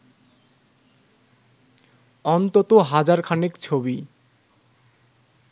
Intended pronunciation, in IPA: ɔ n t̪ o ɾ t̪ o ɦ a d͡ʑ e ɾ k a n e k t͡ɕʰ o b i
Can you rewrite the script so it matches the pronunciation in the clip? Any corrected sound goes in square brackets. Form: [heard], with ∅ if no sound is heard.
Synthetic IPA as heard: ɔ n t̪ o [∅] t̪ o ɦ a d͡ʑ [a] ɾ [kʰ] a n e k t͡ɕʰ o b i